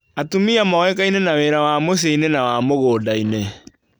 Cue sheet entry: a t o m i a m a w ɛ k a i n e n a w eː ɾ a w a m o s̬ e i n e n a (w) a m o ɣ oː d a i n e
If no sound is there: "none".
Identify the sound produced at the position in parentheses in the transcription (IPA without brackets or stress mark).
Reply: w